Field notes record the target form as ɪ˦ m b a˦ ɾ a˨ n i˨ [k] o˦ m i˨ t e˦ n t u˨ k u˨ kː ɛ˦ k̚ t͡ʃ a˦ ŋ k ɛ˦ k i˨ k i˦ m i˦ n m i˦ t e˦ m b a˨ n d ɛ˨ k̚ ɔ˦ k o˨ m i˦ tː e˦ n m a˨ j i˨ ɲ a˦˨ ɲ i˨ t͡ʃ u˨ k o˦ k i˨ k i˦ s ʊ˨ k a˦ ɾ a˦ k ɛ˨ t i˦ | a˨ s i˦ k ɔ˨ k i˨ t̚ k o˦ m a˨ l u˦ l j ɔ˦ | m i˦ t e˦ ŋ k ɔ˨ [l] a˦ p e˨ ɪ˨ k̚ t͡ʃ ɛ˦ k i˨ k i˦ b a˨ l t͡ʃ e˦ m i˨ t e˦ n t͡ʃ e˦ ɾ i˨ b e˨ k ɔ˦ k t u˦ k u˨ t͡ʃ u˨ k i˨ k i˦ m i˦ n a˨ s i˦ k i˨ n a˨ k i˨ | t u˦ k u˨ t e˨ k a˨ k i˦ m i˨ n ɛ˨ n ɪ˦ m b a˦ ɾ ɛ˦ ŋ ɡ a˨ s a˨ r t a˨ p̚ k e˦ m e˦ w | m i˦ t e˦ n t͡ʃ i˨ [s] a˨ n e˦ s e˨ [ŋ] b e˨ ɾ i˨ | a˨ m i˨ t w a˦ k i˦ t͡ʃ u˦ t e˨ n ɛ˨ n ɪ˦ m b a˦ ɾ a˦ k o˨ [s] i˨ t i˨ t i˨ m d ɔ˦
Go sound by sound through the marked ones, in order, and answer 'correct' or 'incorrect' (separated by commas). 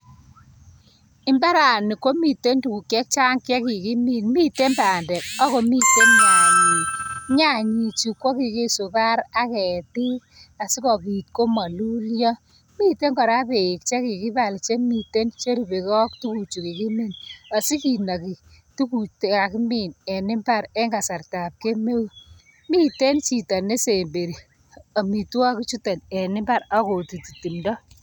correct, incorrect, incorrect, incorrect, incorrect